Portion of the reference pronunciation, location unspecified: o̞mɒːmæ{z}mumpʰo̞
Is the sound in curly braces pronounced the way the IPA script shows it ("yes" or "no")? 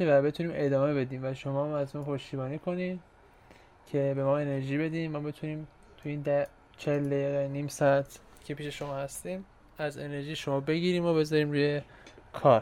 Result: yes